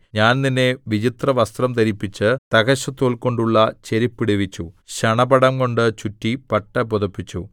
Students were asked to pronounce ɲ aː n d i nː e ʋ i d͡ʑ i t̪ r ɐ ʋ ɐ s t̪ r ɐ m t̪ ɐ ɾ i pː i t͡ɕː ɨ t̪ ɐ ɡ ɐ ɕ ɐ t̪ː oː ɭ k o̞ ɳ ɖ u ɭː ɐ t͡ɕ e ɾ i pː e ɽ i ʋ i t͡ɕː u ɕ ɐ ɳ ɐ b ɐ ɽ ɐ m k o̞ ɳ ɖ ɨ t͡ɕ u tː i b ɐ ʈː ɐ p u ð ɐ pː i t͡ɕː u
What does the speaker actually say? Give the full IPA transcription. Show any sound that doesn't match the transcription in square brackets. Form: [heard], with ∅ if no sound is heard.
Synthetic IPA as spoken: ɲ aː n [n] i nː e ʋ i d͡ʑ i t̪ r ɐ ʋ ɐ s t̪ r ɐ m t̪ ɐ ɾ i pː i t͡ɕː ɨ t̪ ɐ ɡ ɐ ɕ ɐ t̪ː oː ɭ k o̞ ɳ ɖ u ɭː ɐ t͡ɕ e ɾ i pː [i] ɽ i ʋ i t͡ɕː u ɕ ɐ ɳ ɐ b ɐ ɽ ɐ m k o̞ ɳ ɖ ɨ t͡ɕ u tː i [p] ɐ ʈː ɐ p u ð ɐ pː i t͡ɕː u